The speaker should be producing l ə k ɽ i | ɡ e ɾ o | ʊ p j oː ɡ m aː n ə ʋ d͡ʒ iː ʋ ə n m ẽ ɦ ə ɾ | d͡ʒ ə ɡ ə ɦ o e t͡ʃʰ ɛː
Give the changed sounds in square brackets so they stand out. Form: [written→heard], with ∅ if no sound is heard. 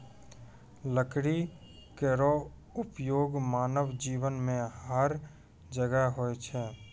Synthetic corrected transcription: l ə k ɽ i | [ɡ→k] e ɾ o | ʊ p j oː ɡ m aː n ə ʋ d͡ʒ iː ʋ ə n m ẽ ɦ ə ɾ | d͡ʒ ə ɡ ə ɦ o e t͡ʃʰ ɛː